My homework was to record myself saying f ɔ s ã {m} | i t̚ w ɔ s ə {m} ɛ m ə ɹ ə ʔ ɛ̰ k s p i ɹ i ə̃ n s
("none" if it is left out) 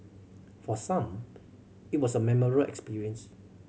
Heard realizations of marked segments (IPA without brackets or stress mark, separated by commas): m, m